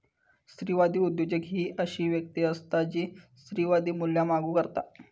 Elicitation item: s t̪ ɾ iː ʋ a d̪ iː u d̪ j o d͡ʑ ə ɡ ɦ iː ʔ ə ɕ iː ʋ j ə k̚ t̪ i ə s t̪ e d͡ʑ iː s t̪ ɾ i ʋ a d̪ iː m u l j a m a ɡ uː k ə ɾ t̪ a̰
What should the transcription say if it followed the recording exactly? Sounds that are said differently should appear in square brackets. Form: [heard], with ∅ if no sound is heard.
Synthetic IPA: s t̪ ɾ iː ʋ a d̪ iː u d̪ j o d͡ʑ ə ɡ ɦ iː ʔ ə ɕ iː ʋ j ə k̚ t̪ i ə s t̪ [a] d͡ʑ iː s t̪ ɾ i ʋ a d̪ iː m u l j a m a ɡ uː k ə ɾ t̪ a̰